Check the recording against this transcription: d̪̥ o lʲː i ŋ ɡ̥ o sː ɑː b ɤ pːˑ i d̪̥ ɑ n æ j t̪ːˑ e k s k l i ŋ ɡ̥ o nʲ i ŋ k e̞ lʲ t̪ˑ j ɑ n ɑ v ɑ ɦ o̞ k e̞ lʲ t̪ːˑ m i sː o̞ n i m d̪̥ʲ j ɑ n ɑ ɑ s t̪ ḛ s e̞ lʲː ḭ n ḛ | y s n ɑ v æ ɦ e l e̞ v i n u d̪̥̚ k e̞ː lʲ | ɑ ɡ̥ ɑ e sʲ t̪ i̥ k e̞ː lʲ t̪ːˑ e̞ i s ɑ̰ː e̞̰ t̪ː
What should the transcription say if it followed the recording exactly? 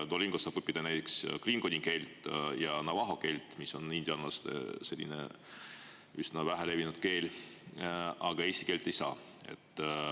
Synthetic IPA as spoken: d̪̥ o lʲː i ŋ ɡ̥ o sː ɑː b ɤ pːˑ i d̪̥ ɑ n æ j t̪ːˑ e k s k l i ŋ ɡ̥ o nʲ i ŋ k e̞ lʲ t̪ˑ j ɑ n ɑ v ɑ ɦ o̞ k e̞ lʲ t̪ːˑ m i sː o̞ n i n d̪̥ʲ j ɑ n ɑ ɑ s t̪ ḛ s e̞ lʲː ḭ n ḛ | y s n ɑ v æ ɦ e l e̞ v i n u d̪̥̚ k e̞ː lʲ | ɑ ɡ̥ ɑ e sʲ t̪ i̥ k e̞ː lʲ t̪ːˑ e̞ j s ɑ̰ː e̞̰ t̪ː